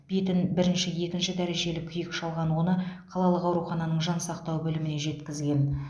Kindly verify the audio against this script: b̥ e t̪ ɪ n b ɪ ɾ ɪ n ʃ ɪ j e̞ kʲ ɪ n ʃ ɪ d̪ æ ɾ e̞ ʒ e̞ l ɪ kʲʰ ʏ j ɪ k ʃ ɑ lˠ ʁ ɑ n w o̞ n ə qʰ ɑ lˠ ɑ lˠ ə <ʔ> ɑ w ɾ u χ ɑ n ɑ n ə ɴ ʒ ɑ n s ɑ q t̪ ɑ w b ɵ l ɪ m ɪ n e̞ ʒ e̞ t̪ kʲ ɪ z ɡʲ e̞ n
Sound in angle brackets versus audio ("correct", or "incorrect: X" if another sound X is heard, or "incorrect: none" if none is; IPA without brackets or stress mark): incorrect: q